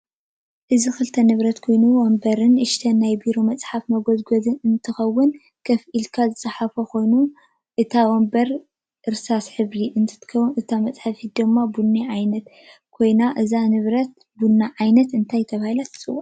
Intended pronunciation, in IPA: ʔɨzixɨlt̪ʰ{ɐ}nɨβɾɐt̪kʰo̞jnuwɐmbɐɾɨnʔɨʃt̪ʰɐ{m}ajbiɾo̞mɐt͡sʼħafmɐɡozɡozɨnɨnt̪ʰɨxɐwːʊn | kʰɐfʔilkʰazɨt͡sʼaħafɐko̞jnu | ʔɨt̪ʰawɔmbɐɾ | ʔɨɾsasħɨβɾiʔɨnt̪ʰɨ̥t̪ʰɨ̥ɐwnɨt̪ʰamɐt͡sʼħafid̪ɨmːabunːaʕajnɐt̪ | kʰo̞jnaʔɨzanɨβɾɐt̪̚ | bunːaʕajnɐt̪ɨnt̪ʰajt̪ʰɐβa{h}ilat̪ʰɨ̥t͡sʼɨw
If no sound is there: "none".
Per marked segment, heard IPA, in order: ɐ, n, h

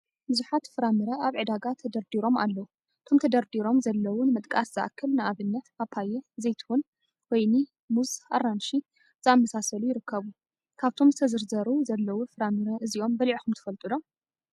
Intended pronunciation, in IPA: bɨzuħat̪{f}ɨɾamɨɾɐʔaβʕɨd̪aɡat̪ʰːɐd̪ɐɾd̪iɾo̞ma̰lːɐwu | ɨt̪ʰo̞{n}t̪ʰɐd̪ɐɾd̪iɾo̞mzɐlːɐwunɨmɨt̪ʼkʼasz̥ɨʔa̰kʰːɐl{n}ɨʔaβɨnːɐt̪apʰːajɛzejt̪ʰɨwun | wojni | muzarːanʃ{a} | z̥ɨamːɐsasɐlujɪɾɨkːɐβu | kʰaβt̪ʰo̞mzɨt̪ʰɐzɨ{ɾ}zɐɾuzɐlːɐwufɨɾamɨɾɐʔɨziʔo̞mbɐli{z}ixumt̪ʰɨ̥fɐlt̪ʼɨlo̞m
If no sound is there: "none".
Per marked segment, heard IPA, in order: f, m, n, i, ɾ, ʕ

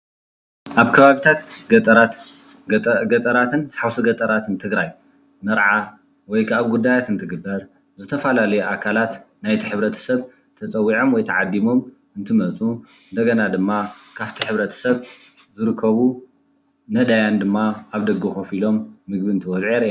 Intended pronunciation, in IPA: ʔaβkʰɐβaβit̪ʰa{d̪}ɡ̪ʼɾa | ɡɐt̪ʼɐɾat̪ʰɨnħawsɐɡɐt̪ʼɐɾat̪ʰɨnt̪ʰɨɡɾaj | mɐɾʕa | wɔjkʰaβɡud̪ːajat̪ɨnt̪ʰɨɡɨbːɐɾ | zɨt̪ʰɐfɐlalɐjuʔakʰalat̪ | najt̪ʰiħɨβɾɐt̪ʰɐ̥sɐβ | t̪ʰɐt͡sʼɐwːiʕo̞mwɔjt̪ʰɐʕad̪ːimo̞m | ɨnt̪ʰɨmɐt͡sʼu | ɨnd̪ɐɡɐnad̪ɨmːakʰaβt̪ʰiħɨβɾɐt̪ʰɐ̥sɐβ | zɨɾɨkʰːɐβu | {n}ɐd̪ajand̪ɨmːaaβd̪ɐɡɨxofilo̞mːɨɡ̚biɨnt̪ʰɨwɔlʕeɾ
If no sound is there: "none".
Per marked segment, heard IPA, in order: t̪, n

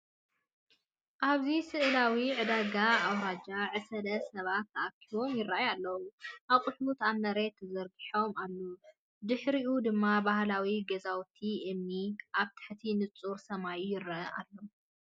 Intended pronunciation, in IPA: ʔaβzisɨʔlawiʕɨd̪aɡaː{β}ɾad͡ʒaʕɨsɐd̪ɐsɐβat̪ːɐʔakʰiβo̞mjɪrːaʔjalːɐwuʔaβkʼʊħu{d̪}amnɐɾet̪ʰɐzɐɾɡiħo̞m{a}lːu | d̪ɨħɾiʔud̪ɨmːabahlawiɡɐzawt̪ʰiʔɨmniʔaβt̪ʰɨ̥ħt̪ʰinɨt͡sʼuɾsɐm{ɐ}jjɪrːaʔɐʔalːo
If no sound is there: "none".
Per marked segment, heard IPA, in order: w, t̪, a, a

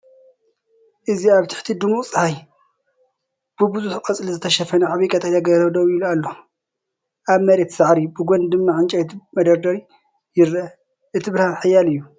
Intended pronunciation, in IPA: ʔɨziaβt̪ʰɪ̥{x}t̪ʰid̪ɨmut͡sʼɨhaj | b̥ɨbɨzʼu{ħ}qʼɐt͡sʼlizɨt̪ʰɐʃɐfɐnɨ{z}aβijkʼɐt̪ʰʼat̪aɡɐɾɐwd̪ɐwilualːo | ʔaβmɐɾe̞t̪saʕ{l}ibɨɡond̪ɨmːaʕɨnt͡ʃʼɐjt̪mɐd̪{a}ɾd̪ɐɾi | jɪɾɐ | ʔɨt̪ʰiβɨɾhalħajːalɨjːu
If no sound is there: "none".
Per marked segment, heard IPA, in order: ħ, ħ, ʕ, ɾ, ɐ

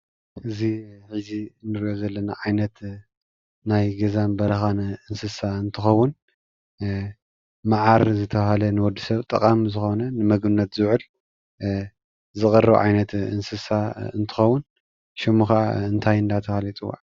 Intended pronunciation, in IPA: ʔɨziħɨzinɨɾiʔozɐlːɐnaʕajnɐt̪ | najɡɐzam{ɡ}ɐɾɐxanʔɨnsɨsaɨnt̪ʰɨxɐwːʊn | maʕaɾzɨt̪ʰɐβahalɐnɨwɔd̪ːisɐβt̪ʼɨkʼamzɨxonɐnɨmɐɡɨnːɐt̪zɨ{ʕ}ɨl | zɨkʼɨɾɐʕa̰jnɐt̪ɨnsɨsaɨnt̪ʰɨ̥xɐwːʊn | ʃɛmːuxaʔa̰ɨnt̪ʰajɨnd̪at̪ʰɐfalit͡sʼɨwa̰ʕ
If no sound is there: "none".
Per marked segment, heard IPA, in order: b, ʕ

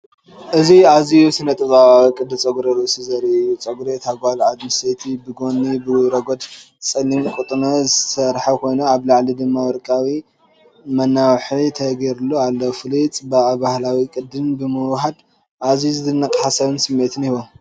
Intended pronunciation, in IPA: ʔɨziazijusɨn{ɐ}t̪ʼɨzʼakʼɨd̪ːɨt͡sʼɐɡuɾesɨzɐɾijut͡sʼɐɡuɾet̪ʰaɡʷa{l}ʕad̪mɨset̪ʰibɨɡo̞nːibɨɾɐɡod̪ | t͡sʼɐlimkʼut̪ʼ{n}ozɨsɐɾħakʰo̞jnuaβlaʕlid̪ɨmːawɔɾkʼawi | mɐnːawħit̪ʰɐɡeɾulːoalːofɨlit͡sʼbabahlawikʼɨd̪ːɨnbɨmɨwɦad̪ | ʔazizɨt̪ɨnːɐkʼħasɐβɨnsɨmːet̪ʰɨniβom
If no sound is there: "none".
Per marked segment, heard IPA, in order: ɐ, l, n

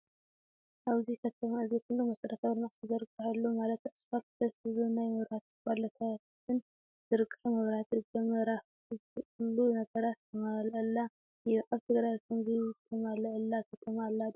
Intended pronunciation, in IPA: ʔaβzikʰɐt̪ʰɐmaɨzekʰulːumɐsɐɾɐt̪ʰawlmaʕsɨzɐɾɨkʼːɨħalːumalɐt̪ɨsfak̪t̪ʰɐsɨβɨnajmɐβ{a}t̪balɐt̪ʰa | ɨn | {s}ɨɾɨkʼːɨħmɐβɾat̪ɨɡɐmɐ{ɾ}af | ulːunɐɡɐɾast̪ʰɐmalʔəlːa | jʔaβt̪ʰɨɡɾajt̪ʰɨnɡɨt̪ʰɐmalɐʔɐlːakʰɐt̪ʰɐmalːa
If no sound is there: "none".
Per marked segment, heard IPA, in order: a, z, ɾ

